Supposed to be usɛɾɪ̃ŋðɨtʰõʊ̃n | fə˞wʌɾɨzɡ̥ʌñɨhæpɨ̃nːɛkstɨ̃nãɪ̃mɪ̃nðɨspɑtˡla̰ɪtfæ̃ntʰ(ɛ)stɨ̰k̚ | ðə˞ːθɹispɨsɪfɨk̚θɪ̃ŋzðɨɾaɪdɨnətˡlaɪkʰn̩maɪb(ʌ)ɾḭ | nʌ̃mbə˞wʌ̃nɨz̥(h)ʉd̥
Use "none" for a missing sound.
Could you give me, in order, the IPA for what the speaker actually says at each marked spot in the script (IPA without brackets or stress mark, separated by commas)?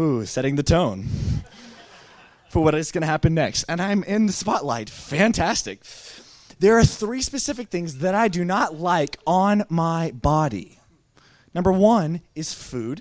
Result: æ, ɑ, f